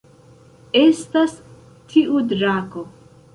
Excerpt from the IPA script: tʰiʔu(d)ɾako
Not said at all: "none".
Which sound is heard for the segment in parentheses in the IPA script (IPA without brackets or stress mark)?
d